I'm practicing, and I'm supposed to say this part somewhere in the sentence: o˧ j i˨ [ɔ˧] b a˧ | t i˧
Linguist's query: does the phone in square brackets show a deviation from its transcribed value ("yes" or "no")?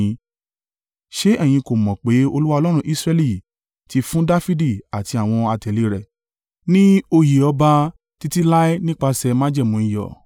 no